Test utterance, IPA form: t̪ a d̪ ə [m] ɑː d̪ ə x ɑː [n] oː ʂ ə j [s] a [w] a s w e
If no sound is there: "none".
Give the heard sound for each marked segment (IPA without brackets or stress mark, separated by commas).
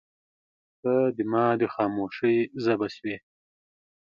m, m, z, b